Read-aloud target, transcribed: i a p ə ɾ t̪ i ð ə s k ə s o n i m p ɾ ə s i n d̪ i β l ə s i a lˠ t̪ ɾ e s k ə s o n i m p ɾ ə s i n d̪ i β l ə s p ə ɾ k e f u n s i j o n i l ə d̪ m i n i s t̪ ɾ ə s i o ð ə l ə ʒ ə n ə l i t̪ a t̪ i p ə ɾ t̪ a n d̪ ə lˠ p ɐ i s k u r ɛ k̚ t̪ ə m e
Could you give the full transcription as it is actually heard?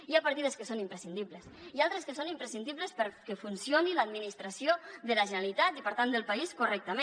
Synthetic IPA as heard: i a p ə ɾ t̪ i ð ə s k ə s o n i m p ɾ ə s i n d̪ i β l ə s i a lˠ t̪ ɾ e s k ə s o n i m p ɾ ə s i n d̪ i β l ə s p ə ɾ k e f u n s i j o n i l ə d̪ m i n i s t̪ ɾ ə s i o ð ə l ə ʒ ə n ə l i t̪ a t̪ i p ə ɾ t̪ a n d̪ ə lˠ p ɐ i s k u r ɛ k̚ t̪ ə m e